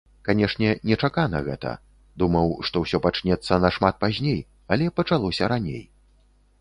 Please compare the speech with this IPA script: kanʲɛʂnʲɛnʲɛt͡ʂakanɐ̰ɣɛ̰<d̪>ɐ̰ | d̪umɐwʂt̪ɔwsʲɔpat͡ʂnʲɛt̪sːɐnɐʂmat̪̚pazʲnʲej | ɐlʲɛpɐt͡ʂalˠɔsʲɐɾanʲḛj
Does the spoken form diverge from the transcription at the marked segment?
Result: yes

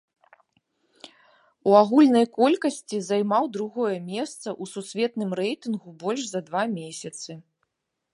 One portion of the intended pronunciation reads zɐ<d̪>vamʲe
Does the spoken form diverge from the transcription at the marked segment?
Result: no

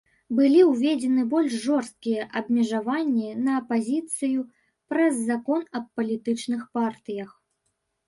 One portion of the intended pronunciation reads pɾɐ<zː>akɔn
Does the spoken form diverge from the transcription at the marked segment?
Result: no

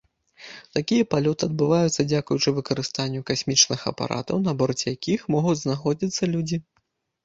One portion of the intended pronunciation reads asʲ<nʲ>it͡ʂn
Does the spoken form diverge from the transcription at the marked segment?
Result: yes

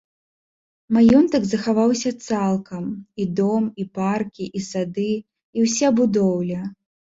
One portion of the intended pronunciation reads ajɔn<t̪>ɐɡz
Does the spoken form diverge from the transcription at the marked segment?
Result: no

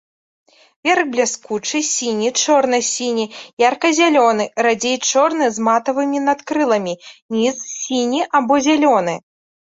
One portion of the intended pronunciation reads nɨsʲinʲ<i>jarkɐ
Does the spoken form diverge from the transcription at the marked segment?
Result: no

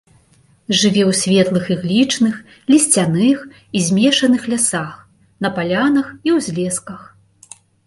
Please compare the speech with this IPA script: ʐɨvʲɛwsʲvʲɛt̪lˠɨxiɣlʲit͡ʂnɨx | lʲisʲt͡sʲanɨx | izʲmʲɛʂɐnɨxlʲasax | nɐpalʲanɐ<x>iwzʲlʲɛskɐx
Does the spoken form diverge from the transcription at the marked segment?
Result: no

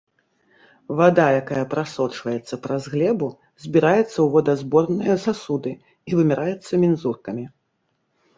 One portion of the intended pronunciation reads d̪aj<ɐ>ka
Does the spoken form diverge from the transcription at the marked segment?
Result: yes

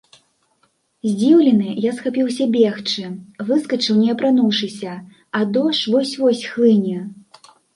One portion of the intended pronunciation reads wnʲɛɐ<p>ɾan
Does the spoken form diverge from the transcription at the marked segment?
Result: no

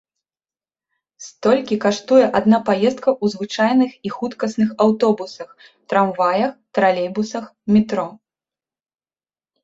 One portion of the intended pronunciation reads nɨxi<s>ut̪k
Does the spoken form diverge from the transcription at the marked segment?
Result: yes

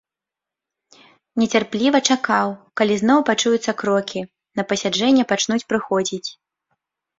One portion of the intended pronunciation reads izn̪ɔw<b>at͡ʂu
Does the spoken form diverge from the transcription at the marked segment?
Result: yes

